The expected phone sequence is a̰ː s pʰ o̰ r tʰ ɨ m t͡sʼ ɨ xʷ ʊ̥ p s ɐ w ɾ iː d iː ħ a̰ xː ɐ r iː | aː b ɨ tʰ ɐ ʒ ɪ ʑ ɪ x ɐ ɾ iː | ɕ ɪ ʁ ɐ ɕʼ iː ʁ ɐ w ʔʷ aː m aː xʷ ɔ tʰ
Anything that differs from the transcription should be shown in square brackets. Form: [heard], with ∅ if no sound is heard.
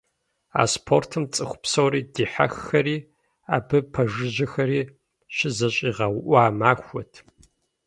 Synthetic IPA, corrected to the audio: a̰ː s pʰ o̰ r tʰ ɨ m t͡sʼ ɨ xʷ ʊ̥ p s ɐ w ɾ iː d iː ħ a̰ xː ɐ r iː | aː b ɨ [pʰ] ɐ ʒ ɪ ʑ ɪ x ɐ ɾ iː | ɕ ɪ [z] ɐ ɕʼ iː ʁ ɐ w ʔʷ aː m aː xʷ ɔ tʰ